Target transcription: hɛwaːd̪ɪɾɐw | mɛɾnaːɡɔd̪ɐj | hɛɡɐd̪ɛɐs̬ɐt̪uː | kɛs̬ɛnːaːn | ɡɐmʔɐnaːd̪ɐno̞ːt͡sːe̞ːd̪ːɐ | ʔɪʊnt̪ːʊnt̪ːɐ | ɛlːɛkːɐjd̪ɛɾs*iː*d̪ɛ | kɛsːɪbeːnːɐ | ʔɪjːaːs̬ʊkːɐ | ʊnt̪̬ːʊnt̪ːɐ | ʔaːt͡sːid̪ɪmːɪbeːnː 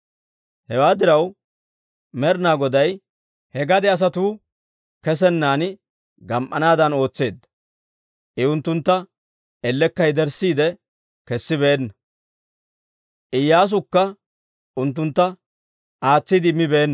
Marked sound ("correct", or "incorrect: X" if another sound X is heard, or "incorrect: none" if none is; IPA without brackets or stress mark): correct